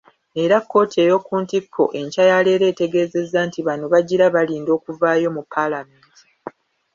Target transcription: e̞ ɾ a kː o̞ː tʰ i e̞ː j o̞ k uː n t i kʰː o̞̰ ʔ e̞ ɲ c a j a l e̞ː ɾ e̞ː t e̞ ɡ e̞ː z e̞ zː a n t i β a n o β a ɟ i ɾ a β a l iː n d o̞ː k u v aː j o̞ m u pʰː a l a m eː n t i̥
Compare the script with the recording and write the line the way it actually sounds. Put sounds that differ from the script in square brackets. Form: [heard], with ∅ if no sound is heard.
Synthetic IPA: e̞ ɾ a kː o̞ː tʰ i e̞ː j o̞ k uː n t i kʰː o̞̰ ʔ e̞ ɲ c a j a l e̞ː ɾ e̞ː t e̞ ɡ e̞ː z e̞ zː a n t i β a n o β a ɟ i ɾ a β a l iː n d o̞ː k u v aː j o̞ m u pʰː a l a m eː n t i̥